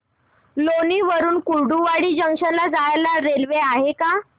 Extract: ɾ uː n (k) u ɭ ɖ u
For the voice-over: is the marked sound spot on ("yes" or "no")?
yes